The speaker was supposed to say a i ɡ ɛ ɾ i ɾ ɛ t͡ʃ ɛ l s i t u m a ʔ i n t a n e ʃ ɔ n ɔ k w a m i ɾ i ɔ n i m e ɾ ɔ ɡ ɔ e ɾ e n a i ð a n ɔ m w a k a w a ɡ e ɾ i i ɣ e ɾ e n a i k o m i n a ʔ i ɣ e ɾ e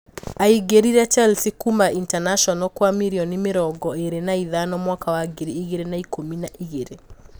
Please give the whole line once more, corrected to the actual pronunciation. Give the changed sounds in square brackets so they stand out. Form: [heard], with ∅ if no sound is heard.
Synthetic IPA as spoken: a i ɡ [e] ɾ i ɾ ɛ t͡ʃ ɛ l s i [k] u m a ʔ i n t a n [a] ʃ ɔ n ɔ k w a m i ɾ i ɔ n i m e ɾ ɔ ɡ ɔ e ɾ e n a i ð a n ɔ m w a k a w a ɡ e ɾ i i ɣ e ɾ e n a i k o m i n a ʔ i ɣ e ɾ e